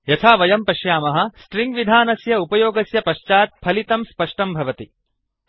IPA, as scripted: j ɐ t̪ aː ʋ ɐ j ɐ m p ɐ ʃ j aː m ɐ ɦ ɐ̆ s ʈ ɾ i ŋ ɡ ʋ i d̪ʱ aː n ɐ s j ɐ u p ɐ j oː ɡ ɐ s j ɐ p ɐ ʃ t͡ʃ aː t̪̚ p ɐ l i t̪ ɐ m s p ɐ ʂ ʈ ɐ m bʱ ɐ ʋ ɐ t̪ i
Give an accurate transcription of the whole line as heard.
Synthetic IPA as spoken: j ɐ t̪ʰ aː ʋ ɐ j ɐ m p ɐ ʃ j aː m ɐ ɦ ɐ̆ s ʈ ɾ i ŋ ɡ ʋ i d̪ʱ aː n ɐ s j ɐ u p ɐ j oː ɡ ɐ s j ɐ p ɐ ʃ t͡ʃ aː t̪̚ pʰ ɐ l i t̪ ɐ m s p ɐ ʂ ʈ ɐ m bʱ ɐ ʋ ɐ t̪ i